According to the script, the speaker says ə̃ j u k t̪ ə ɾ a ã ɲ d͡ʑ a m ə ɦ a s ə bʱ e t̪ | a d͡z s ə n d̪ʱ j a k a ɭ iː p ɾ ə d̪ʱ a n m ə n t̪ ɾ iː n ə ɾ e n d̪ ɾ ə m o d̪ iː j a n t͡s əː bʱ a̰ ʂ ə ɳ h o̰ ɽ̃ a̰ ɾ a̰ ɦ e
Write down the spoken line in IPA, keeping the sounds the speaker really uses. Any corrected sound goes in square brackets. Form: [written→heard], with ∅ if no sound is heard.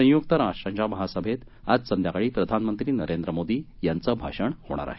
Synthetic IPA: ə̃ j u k t̪ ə ɾ a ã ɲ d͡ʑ a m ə ɦ a s ə bʱ e t̪ | a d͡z s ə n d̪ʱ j a k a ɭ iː p ɾ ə d̪ʱ a n m ə n t̪ ɾ iː n ə ɾ e n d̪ ɾ ə m o d̪ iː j a n t͡s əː bʱ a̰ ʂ ə ɳ h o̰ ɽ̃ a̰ ɾ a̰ ɦ e